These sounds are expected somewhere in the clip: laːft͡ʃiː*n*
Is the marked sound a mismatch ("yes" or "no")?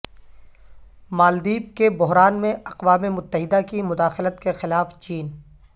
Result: no